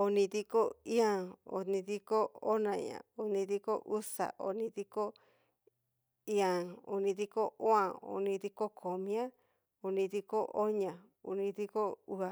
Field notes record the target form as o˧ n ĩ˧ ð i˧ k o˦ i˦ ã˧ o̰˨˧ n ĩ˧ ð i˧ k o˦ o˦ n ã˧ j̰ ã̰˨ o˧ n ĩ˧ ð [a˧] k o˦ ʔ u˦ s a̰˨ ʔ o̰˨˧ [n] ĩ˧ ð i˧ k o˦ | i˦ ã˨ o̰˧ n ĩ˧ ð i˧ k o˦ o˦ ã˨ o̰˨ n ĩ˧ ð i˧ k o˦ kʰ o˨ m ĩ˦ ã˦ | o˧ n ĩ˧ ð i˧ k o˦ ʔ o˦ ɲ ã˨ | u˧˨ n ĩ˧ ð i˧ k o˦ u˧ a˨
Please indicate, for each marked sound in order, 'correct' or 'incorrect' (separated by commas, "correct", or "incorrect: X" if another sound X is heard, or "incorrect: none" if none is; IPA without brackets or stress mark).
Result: incorrect: i˧, correct